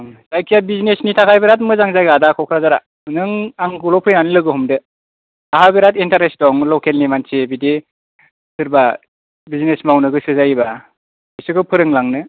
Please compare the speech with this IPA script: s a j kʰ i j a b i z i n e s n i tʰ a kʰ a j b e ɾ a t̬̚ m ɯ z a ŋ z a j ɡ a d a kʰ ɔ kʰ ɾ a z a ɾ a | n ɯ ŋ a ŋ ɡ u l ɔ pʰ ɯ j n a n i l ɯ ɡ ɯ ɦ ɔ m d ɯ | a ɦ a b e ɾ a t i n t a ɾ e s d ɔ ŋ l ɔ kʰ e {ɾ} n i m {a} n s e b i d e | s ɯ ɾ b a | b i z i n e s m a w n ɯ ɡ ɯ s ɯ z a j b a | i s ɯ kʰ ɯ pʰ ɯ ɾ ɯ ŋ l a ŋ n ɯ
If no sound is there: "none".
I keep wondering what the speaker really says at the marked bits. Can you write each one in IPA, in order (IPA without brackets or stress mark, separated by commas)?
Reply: l, a